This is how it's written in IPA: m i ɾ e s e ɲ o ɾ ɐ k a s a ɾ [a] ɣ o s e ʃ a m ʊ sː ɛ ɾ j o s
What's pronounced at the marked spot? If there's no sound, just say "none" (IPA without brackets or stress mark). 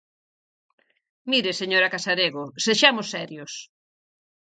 e